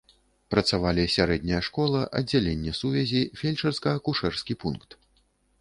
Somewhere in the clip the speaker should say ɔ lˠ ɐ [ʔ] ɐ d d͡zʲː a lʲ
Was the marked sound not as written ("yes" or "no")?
no